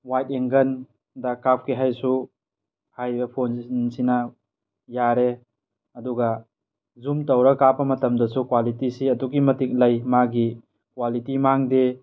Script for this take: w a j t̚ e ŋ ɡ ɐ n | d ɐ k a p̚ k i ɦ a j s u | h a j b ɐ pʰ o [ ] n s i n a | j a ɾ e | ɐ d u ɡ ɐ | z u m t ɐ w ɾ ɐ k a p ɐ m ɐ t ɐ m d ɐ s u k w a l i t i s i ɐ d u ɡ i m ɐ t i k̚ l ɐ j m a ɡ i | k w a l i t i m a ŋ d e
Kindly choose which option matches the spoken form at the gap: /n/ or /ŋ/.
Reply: n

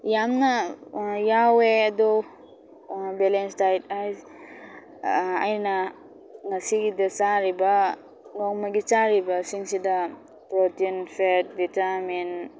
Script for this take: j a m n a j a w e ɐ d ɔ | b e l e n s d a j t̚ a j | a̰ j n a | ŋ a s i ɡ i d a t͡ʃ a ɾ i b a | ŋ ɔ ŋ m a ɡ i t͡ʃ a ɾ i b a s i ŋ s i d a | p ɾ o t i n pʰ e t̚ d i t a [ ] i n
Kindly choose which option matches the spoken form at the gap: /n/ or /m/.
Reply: m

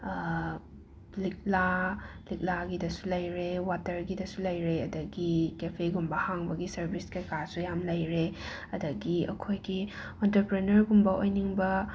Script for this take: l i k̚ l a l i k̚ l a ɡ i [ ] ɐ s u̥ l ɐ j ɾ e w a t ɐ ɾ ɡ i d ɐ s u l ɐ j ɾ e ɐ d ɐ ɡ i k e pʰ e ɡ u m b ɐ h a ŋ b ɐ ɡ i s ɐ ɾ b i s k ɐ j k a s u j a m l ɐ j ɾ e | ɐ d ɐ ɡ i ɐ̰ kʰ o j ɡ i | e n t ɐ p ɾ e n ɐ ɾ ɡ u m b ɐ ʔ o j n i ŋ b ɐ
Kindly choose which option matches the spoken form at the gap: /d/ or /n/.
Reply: d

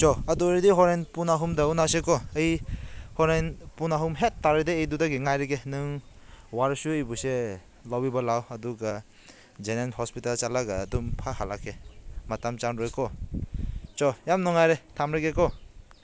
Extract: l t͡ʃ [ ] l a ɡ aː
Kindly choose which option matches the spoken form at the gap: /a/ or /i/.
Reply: a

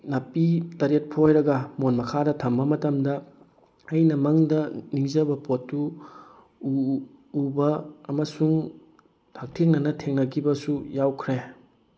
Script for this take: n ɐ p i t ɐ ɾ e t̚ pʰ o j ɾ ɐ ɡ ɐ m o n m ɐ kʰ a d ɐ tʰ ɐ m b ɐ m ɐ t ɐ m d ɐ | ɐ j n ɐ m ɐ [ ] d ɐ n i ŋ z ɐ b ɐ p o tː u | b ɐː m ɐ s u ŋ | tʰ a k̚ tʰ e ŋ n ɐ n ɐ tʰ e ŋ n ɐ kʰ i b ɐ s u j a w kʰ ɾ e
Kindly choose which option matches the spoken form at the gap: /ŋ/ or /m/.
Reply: ŋ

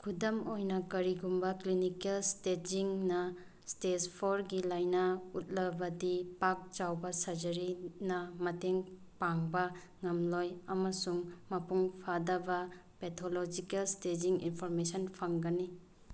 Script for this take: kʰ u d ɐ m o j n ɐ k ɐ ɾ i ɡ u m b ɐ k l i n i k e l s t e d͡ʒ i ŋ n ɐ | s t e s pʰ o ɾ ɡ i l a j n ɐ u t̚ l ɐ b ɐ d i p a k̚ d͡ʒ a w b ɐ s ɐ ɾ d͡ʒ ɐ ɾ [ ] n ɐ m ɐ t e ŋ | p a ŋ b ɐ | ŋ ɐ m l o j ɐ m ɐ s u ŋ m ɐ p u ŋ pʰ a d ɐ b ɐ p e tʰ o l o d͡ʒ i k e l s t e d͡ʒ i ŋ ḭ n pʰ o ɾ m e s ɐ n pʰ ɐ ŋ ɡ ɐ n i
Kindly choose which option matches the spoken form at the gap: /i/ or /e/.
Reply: i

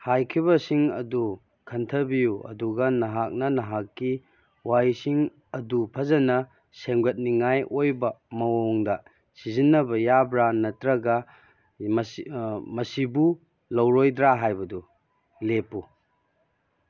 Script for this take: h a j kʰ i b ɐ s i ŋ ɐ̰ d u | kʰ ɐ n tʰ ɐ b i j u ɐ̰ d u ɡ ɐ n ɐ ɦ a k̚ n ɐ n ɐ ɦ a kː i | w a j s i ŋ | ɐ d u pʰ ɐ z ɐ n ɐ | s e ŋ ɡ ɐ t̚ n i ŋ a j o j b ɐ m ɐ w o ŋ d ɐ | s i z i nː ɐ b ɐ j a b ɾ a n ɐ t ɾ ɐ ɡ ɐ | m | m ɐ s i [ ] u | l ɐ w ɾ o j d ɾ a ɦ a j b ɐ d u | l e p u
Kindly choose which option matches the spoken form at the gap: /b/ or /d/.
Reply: b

